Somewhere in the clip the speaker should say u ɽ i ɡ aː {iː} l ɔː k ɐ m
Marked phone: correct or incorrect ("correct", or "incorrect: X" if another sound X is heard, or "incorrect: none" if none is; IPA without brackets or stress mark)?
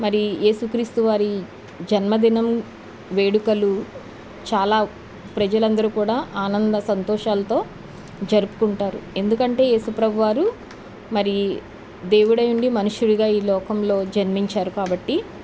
correct